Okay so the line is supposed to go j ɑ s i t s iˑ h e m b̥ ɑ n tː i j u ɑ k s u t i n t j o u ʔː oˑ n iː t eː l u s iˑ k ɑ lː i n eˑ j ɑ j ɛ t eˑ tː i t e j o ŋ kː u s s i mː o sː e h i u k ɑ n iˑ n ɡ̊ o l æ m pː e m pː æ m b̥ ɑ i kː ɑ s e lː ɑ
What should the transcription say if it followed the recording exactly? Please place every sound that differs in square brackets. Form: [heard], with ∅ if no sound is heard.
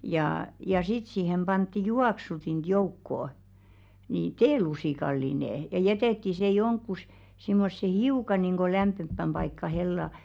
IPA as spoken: j ɑ s i t s iˑ h e m b̥ ɑ n tː i j u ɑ k s u t i n t j o u [kː] oˑ n [i] t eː l u s iˑ k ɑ lː i n eˑ j ɑ j ɛ t eˑ tː i [s] e j o ŋ kː u s s i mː o sː e h i u k ɑ n iˑ [ŋ] ɡ̊ o l æ m pː e m pː æ m b̥ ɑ i kː ɑ [h] e lː ɑ